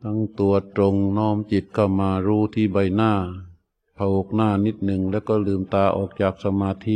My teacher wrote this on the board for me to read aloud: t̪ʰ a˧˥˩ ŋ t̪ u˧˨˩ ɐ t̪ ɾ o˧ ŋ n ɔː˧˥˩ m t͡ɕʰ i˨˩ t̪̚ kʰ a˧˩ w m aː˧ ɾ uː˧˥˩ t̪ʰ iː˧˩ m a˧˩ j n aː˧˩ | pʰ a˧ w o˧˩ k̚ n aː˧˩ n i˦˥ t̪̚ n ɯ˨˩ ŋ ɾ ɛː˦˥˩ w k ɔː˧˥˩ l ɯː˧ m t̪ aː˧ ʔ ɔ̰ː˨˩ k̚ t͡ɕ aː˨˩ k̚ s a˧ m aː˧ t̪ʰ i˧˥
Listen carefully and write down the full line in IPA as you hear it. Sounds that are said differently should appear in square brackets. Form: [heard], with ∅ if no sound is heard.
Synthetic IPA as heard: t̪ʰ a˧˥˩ ŋ t̪ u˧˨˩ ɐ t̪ ɾ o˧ ŋ n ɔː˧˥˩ m [t͡ɕ] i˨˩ t̪̚ kʰ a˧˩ w m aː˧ ɾ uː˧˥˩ t̪ʰ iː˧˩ [b] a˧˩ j n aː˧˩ | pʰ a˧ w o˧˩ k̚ n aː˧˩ n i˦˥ t̪̚ n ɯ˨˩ ŋ [l] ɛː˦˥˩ w k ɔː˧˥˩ l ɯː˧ m t̪ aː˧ ʔ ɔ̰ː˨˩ k̚ t͡ɕ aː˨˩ k̚ s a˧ m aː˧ t̪ʰ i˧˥